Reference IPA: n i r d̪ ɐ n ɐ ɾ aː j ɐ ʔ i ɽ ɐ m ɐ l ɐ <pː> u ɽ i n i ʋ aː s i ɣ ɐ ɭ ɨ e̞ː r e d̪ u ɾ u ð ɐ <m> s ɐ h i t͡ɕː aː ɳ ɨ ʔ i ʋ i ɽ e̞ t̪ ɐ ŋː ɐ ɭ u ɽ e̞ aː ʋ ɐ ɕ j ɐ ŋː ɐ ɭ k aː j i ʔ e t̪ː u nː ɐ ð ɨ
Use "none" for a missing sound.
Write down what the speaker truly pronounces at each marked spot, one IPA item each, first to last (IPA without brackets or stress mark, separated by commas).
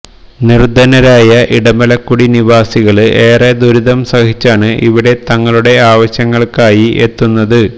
kː, m